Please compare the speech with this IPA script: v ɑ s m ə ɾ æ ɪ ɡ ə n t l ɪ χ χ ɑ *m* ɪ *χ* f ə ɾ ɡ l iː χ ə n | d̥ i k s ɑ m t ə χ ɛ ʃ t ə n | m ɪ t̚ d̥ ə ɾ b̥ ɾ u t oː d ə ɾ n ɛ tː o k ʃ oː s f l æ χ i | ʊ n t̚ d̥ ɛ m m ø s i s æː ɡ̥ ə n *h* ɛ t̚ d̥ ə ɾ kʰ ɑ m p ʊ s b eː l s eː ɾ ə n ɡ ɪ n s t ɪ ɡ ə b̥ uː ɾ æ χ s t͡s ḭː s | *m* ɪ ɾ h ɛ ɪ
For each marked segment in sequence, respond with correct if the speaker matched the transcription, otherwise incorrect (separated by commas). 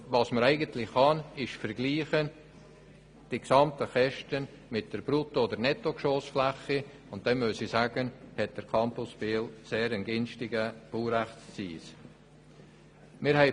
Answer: incorrect, incorrect, correct, correct